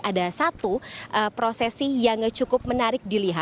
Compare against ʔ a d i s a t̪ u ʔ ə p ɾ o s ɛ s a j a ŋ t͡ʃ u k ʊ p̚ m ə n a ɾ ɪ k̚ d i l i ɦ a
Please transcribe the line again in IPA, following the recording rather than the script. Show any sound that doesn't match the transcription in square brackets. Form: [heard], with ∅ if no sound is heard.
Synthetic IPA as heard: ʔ a d [a] s a t̪ u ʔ ə p ɾ o s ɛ s [i] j a ŋ t͡ʃ u k ʊ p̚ m ə n a ɾ ɪ k̚ d i l i ɦ a